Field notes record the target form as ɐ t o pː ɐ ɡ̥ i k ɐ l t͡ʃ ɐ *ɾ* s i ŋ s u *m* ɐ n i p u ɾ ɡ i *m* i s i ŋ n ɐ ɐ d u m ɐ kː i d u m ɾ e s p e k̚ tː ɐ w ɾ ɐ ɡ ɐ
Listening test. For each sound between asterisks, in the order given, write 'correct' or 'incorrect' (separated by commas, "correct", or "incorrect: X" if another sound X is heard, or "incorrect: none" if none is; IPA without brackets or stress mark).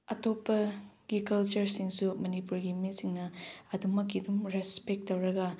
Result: correct, correct, correct